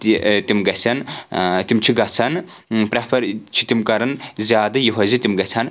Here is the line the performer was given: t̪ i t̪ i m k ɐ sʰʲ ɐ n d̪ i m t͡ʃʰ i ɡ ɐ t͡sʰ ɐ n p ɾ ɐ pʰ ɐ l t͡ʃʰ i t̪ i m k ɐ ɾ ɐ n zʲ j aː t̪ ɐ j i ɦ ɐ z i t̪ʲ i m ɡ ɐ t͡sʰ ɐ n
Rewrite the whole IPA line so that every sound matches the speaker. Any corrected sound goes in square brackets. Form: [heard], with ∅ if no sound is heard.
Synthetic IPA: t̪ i t̪ i m [ɡ] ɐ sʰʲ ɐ n [t̪] i m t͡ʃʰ i ɡ ɐ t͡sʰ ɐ n p ɾ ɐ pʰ ɐ [ɾ] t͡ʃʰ i t̪ i m k ɐ ɾ ɐ n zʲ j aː [d̪] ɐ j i ɦ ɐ z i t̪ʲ i m ɡ ɐ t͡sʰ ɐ n